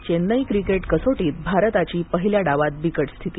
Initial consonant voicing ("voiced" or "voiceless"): voiceless